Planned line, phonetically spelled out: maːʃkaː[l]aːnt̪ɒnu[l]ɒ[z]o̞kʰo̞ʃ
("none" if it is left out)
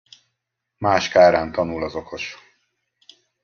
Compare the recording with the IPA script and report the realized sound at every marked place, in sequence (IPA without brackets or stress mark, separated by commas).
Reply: ɾ, l, z